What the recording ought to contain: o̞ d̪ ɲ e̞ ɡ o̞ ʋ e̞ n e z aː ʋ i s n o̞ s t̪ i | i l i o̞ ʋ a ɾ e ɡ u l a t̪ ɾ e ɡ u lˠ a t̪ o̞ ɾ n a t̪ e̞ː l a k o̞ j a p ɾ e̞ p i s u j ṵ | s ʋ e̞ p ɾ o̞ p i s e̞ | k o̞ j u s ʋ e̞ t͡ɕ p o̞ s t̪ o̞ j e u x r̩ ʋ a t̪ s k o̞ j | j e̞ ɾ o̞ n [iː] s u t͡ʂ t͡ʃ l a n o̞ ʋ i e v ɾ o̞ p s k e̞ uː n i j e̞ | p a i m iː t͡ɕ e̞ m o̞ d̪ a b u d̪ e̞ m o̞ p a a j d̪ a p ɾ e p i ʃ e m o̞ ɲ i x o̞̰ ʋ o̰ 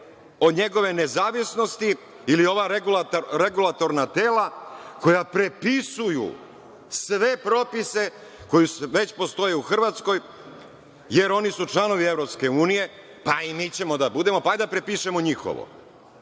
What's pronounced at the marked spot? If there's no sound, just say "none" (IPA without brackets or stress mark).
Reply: i